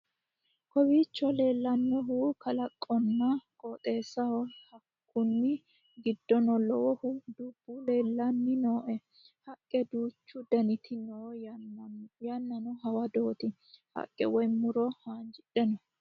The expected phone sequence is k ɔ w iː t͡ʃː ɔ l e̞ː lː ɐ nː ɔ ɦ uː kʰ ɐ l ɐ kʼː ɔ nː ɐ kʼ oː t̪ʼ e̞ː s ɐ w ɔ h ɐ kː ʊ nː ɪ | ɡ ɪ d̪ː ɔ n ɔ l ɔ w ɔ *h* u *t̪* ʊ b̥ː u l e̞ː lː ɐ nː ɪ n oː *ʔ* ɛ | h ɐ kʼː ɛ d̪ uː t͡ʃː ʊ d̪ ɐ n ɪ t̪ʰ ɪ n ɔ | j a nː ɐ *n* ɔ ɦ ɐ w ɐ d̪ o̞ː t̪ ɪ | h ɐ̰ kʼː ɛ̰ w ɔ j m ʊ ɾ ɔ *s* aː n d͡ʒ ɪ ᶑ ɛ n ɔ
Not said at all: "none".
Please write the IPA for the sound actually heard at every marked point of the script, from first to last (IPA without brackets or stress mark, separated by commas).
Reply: h, d̪, ʔ, n, h